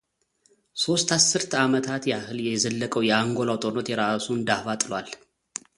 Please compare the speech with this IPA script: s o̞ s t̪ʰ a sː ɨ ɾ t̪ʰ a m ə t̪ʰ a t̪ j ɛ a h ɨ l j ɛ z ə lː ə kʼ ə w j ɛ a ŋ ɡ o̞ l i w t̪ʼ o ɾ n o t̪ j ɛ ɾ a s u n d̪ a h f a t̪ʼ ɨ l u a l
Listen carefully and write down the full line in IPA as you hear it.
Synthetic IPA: s o̞ s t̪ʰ a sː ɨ ɾ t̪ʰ a m ə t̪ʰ a t̪ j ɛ a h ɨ l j ɛ z ə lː ə kʼ ə w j ɛ a ŋ ɡ o̞ l a w t̪ʼ o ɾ n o t̪ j ɛ ɾ a s u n d̪ a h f a t̪ʼ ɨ l w a l